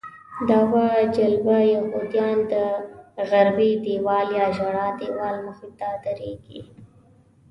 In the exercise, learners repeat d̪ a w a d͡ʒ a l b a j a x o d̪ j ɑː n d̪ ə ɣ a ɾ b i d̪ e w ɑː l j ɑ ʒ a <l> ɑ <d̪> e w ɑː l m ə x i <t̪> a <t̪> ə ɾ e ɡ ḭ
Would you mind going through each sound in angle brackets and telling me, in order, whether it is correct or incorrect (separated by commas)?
incorrect, correct, correct, incorrect